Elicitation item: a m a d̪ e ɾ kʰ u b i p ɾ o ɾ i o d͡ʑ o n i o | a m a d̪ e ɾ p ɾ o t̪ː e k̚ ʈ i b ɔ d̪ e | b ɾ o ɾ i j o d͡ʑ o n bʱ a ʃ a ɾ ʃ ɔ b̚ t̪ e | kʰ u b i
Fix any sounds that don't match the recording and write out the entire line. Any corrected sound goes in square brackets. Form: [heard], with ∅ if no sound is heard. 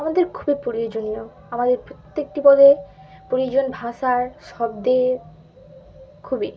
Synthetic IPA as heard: a m a d̪ e ɾ kʰ u b i p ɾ o ɾ i o d͡ʑ o n i o | a m a d̪ e ɾ p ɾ o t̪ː e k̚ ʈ i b ɔ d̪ e | [p] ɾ o ɾ i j o d͡ʑ o n bʱ a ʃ a ɾ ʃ ɔ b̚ [d̪] e | kʰ u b i